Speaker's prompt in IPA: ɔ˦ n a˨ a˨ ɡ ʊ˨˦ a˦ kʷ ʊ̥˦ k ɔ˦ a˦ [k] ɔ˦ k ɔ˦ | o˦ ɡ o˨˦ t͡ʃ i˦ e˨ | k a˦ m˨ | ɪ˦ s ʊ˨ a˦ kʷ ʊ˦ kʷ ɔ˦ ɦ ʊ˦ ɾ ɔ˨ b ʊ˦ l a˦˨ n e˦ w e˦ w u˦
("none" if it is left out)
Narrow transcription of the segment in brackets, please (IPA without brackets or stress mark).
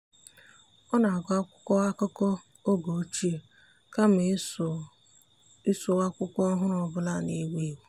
k